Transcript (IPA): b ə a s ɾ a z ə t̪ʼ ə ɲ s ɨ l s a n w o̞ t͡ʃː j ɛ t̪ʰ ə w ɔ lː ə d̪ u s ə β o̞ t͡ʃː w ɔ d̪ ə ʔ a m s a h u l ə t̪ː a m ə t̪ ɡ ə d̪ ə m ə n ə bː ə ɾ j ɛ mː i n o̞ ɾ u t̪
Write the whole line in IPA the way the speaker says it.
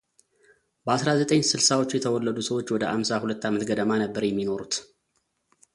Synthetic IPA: b ə a s ɾ a z ə t̪ʼ ə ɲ s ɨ l s a w o̞ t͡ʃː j ɛ t̪ʰ ə w ɔ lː ə d̪ u s ə w o̞ t͡ʃː w ɔ d̪ ə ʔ a m s a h u l ə t̪ː a m ə t̪ ɡ ə d̪ ə m a n ə bː ə ɾ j ɛ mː i n o̞ ɾ u t̪